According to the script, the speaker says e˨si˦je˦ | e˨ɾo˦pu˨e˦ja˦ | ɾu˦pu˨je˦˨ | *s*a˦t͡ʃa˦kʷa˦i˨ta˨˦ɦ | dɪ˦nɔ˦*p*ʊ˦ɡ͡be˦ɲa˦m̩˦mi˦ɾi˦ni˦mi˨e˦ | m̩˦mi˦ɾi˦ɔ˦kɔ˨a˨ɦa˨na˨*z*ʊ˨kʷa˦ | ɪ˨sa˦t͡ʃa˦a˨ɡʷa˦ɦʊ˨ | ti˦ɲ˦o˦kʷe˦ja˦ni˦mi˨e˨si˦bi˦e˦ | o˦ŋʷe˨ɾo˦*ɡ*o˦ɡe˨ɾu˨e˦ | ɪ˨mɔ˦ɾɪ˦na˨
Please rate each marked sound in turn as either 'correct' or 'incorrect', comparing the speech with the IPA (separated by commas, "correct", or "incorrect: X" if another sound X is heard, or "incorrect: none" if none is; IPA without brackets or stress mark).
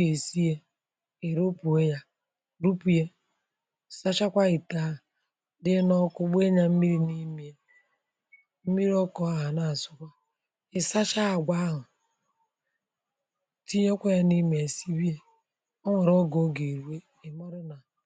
correct, incorrect: k, incorrect: s, correct